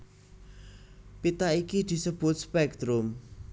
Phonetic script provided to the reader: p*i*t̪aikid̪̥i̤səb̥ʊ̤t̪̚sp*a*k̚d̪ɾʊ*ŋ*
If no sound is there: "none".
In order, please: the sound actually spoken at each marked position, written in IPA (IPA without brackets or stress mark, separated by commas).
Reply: i, ɛ, m